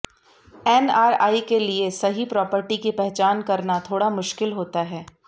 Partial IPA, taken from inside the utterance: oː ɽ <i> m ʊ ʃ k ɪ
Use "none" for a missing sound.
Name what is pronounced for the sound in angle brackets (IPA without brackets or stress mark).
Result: a